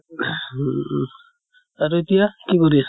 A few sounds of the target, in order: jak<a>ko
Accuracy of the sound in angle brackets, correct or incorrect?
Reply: incorrect